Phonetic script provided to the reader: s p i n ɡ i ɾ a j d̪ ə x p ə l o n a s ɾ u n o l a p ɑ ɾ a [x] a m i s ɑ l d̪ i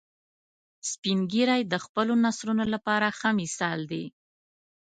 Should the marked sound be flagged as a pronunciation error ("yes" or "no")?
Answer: no